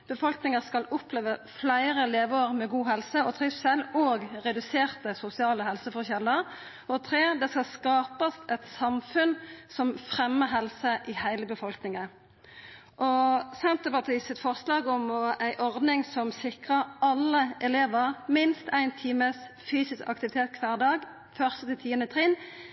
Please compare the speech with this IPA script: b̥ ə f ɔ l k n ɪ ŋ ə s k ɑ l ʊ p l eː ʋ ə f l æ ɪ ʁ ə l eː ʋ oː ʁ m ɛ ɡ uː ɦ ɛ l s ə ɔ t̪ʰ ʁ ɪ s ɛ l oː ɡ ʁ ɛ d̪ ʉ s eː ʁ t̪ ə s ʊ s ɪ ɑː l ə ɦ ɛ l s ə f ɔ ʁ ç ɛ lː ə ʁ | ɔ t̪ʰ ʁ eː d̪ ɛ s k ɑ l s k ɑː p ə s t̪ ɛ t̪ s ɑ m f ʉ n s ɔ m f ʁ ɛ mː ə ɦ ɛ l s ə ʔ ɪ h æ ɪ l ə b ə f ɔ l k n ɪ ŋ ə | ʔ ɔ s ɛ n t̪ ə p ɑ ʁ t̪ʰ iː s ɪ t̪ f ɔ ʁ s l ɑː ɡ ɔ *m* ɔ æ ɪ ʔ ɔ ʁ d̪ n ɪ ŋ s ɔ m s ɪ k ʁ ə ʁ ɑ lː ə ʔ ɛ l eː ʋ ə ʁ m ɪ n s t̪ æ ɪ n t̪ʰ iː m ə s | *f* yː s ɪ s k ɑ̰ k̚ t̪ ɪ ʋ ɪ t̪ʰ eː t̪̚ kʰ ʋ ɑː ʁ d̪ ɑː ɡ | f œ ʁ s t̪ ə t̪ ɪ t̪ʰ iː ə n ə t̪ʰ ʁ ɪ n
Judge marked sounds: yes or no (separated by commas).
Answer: yes, yes